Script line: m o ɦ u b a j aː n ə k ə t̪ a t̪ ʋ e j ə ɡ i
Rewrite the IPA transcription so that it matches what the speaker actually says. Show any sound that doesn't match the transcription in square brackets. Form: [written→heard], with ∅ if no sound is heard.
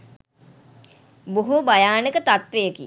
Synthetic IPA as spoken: [m→b] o ɦ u b a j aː n ə k ə t̪ a t̪ ʋ e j ə [ɡ→k] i